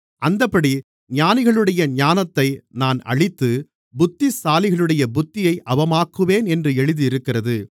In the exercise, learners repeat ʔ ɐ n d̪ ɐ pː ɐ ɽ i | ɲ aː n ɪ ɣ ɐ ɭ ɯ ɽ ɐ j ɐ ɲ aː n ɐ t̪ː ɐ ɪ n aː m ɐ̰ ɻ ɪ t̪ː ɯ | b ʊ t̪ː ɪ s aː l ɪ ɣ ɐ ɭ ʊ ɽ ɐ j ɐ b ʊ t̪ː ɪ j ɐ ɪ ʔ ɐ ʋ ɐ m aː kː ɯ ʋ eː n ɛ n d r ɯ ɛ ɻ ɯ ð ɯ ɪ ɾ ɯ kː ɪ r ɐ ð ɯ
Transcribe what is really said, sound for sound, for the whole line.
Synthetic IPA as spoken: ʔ ɐ n d̪ ɐ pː ɐ ɽ i | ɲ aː n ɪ ɣ ɐ ɭ ɯ ɽ ɐ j ɐ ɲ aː n ɐ t̪ː ɐ ɪ n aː n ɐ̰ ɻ ɪ t̪ː ɯ | b ʊ t̪ː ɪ s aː l ɪ ɣ ɐ ɭ ɯ ɽ ɐ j ɐ b ʊ t̪ː ɪ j ɐ ɪ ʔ ɐ ʋ ɐ m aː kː ɯ ʋ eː n ɛ n d r ɯ ɛ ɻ ɯ ð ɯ ɪ ɾ ɯ kː ɪ r ɐ ð ɯ